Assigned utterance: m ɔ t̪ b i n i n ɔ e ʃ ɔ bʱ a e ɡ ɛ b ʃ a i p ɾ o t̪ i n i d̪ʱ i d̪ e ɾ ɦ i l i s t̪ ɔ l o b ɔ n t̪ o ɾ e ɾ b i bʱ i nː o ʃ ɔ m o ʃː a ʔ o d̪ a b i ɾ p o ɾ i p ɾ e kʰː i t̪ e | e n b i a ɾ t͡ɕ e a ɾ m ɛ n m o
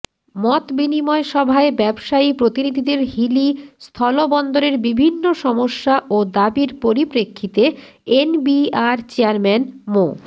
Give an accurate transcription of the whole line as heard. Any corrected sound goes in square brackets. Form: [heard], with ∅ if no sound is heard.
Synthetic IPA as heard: m ɔ t̪ b i n i [m] ɔ e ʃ ɔ bʱ a e [b] ɛ b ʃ a i p ɾ o t̪ i n i d̪ʱ i d̪ e ɾ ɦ i l i s [t̪ʰ] ɔ l o b ɔ n [d̪] o ɾ e ɾ b i bʱ i nː o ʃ ɔ m o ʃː a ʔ o d̪ a b i ɾ p o ɾ i p ɾ e kʰː i t̪ e | e n b i a ɾ t͡ɕ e a ɾ m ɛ n m o